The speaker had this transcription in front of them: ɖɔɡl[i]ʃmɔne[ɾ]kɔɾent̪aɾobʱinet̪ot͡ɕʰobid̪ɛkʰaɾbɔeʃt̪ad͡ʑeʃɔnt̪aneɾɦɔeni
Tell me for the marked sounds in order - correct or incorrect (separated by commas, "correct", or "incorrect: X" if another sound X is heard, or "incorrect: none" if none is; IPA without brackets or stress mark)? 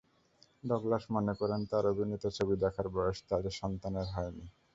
incorrect: a, incorrect: none